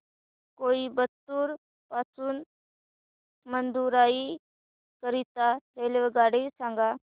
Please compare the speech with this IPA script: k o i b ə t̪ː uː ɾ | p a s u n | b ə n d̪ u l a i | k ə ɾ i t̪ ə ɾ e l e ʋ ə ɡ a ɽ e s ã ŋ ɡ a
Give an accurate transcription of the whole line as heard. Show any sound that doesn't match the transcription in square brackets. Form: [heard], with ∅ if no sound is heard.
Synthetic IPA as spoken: k o i b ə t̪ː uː ɾ | p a s [uː] n | [m] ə n d̪ u [ɾ] a i | k ə ɾ i t̪ [a] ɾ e l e ʋ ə ɡ a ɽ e s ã ŋ ɡ a